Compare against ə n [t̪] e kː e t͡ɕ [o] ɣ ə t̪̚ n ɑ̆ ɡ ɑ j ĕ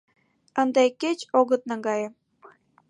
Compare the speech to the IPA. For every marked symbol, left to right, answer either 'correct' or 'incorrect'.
incorrect, correct

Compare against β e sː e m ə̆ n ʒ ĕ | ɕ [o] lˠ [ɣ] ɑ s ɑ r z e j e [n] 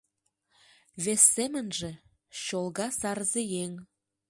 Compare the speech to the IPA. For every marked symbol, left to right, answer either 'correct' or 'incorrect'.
correct, correct, incorrect

